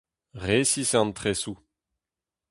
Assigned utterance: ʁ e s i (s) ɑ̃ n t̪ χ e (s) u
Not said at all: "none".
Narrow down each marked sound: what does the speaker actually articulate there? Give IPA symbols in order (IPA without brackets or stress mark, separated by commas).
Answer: s, s